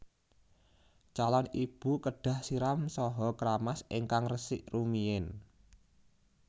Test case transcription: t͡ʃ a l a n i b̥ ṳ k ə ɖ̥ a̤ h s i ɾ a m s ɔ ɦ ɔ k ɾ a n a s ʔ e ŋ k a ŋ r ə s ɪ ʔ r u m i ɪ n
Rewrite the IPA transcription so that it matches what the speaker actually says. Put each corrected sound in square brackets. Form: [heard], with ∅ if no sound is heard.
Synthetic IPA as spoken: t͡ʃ a l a n i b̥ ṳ k ə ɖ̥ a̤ h s i ɾ a m s ɔ ɦ ɔ k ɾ a [m] a s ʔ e ŋ k a ŋ r ə s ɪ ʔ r u m i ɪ n